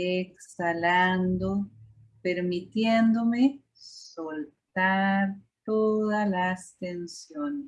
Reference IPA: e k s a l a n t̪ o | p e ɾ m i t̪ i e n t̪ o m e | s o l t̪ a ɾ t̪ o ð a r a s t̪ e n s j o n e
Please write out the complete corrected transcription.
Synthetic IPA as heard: e k s a l a n d̪ o | p e ɾ m i t̪ j e n d̪ o m e | s o l t̪ a ɾ t̪ o ð a l a s t̪ e n s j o n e